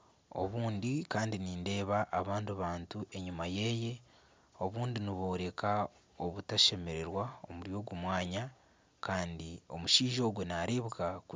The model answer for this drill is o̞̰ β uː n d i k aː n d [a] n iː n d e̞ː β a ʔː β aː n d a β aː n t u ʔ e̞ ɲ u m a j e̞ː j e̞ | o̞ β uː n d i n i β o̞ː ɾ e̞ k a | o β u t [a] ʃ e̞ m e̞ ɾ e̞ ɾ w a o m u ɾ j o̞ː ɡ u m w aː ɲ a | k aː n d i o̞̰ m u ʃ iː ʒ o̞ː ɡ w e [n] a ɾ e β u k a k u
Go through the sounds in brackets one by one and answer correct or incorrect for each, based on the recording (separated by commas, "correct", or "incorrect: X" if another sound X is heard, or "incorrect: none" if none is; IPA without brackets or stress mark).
incorrect: i, correct, correct